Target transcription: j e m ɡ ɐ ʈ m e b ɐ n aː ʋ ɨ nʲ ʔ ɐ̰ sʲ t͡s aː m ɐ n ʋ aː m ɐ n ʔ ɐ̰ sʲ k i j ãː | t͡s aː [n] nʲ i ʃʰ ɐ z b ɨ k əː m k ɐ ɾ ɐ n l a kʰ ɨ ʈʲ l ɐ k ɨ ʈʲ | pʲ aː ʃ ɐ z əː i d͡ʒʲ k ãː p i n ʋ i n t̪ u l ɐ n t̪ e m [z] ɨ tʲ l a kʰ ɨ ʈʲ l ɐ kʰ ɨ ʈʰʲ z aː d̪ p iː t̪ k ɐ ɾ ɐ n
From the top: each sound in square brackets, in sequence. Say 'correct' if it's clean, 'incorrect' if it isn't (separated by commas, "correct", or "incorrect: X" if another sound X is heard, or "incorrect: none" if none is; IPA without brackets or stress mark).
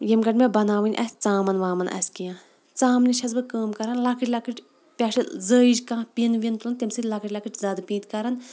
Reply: incorrect: m, incorrect: s